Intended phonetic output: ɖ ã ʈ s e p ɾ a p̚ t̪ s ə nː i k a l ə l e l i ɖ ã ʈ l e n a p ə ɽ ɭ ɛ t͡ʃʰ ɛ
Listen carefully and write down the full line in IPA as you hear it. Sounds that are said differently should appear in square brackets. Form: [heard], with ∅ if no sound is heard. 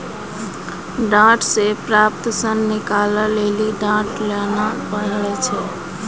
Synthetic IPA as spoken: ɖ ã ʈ s e p ɾ a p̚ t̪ s ə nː i k a l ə l e l i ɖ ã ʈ l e n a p ə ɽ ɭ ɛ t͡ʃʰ ɛ